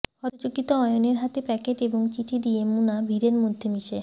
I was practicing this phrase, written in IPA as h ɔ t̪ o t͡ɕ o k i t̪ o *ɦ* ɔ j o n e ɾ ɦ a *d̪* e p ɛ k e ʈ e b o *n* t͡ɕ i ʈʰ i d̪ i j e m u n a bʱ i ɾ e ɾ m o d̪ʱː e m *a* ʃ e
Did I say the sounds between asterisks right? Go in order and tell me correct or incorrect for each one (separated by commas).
incorrect, incorrect, incorrect, incorrect